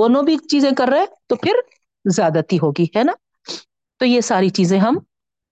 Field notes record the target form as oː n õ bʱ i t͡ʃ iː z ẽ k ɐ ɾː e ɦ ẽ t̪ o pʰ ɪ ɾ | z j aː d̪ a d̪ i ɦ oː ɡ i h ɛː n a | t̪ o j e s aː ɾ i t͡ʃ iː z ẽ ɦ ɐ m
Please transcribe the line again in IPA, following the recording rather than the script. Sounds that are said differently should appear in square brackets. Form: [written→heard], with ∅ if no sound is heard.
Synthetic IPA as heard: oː n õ bʱ i t͡ʃ iː z ẽ k ɐ ɾː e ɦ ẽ t̪ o pʰ ɪ ɾ | z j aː d̪ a [d̪→t̪] i ɦ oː ɡ i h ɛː n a | t̪ o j e s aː ɾ i t͡ʃ iː z ẽ ɦ ɐ m